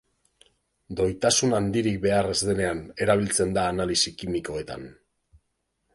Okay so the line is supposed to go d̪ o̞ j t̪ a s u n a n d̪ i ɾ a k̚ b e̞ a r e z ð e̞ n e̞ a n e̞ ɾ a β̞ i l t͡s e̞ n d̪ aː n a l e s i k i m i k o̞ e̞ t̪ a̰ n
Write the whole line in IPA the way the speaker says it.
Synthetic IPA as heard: d̪ o̞ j t̪ a s u n a n d̪ i ɾ i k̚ b e̞ a r e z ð e̞ n e̞ a n e̞ ɾ a β̞ i l t͡s e̞ n d̪ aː n a l i s i k i m i k o̞ e̞ t̪ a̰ n